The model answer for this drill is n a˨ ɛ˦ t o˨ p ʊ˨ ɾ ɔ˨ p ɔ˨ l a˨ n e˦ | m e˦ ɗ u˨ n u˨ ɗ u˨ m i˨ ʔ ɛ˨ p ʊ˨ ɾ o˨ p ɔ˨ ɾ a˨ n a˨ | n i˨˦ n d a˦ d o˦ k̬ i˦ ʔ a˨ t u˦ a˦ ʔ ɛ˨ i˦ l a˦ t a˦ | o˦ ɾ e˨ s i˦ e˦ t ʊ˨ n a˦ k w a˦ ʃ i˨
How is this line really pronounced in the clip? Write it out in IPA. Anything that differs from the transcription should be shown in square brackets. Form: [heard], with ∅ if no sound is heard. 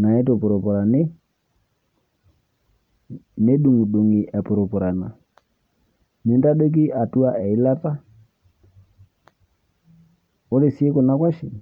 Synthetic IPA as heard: n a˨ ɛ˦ t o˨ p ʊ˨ ɾ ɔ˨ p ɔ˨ [ɾ] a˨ n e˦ | [n] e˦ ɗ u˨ [ŋ] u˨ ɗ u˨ [ŋ] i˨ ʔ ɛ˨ p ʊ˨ ɾ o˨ p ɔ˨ ɾ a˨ n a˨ | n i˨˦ n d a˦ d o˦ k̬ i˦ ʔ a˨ t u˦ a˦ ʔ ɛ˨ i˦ l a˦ t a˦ | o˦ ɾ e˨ s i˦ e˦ [k] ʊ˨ n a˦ k w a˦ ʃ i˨

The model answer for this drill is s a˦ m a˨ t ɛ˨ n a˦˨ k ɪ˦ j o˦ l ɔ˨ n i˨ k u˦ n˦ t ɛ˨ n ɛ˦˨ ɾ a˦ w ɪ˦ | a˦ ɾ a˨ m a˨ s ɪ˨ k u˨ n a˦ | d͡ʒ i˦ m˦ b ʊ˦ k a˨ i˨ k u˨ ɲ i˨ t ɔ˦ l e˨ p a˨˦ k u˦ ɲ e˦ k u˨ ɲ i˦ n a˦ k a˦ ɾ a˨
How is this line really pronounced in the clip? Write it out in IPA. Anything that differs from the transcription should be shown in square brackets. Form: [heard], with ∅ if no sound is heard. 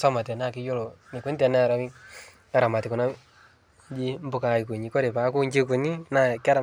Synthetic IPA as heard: s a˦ m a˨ t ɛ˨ n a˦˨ k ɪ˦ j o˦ l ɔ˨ n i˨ k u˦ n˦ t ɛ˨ n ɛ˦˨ ɾ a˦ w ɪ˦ | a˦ ɾ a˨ m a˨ [t] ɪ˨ k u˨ n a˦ | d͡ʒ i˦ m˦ b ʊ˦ k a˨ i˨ k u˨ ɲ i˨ [k] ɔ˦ [ɾ] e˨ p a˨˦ k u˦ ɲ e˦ k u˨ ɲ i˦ n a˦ k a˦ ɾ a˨

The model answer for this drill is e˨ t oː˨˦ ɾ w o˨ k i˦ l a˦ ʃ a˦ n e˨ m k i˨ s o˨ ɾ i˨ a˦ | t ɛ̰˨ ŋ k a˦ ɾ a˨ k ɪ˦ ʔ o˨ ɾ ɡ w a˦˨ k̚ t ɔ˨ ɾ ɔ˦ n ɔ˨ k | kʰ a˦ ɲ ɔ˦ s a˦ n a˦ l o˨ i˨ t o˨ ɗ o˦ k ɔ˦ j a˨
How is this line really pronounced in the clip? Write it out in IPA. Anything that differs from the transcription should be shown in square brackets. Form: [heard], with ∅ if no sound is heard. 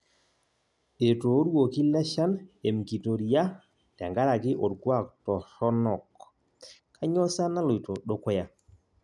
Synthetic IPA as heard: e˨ t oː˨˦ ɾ w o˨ k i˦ l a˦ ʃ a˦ n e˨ m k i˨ [t] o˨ ɾ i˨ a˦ | t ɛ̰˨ ŋ [ɡ] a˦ ɾ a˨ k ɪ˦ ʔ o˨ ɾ ɡ w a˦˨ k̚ t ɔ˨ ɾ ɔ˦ n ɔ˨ k | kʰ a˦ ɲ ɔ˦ s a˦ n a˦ l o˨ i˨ t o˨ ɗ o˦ k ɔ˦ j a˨

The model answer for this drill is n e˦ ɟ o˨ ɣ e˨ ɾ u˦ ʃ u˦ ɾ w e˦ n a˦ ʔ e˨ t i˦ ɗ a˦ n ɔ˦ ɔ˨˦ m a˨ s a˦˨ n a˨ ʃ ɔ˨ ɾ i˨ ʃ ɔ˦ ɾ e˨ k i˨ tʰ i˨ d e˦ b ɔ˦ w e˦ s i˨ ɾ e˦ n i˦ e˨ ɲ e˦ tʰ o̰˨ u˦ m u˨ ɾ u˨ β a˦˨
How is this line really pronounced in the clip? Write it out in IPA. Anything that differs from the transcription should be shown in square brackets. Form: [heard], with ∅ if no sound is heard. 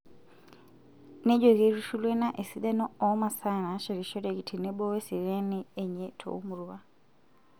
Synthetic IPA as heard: n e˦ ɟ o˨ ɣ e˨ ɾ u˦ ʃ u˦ [l] w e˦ n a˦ ʔ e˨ [s] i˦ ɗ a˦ n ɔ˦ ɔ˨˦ m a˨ s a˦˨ n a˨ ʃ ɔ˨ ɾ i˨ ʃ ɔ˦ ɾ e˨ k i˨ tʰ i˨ [n] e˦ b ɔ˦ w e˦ s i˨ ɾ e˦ n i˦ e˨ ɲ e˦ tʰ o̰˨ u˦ m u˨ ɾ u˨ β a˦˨

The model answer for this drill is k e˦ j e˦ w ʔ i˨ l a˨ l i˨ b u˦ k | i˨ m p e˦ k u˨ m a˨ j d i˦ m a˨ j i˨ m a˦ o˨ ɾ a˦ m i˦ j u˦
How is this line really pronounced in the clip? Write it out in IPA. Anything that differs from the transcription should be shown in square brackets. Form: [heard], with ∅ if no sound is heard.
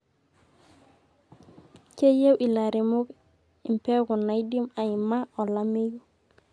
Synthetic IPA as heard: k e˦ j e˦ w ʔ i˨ l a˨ [ɾ] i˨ [m] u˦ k | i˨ m p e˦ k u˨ [n] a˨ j d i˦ m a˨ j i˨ m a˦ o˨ [l] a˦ m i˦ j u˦

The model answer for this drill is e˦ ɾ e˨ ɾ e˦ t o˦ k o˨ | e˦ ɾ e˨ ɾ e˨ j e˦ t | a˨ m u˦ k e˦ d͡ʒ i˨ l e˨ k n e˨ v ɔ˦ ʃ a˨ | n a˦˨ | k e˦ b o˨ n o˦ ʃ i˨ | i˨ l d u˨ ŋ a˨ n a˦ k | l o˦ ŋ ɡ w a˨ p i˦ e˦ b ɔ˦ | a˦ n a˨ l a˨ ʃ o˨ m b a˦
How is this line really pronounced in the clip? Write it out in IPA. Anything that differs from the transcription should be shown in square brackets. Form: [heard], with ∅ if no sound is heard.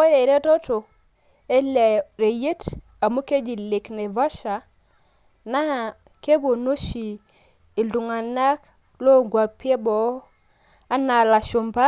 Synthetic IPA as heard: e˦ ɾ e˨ ɾ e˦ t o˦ [t] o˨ | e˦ [l] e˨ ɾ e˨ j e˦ t | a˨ m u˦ k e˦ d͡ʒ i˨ l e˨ k n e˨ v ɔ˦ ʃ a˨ | n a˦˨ | k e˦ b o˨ n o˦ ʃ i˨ | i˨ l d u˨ ŋ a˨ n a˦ k | l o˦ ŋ ɡ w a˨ p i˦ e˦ b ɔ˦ | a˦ n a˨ l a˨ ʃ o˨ m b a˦

